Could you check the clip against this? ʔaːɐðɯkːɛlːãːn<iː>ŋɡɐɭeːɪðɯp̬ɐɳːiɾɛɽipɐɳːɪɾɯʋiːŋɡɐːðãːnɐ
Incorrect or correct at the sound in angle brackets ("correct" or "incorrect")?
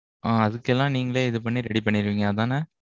correct